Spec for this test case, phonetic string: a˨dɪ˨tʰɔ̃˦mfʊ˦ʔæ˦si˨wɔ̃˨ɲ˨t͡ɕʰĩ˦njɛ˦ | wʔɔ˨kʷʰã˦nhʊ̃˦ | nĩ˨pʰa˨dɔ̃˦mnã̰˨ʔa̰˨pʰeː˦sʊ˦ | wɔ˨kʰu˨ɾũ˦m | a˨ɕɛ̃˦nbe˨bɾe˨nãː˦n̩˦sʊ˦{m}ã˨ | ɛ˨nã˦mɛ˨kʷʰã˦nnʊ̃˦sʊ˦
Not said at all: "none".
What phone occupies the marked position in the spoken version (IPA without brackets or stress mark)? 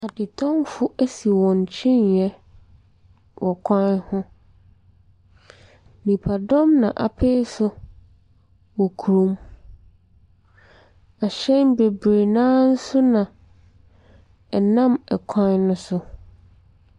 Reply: n